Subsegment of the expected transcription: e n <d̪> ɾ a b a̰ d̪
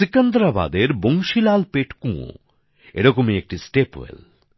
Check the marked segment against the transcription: correct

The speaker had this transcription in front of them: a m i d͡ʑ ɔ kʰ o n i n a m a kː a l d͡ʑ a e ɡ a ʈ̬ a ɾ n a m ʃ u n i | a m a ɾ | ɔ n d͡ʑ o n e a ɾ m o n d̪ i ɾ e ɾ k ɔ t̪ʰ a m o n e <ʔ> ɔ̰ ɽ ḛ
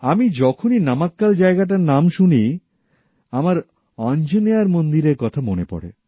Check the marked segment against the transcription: incorrect: p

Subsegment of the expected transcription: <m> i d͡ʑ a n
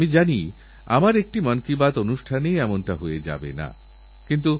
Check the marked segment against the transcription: correct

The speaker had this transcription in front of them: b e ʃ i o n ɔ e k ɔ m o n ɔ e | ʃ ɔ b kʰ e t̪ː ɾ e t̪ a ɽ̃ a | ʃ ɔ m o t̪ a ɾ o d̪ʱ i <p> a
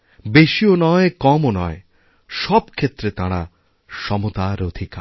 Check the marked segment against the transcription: incorrect: k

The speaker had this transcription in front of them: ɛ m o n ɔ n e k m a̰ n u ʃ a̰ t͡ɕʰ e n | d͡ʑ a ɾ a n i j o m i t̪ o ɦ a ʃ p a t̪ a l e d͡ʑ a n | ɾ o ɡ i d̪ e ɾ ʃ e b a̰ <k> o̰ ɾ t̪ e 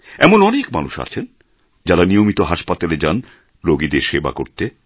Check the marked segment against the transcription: correct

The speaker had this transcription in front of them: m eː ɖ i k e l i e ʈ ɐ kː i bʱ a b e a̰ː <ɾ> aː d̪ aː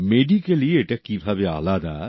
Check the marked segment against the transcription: incorrect: l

